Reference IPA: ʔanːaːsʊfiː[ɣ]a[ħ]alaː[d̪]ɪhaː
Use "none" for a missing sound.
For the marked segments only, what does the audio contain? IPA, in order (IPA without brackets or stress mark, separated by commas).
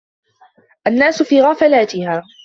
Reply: ɣ, f, t̪